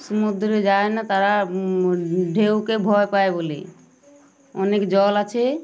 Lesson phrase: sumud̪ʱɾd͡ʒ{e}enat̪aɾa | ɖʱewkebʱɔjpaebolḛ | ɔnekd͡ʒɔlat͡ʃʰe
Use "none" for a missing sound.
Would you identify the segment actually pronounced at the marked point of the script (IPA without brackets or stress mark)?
a